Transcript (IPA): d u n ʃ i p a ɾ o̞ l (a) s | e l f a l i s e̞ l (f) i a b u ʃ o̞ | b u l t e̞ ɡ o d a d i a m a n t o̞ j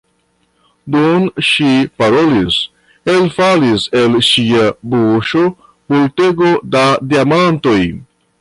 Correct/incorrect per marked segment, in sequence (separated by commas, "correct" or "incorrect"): incorrect, incorrect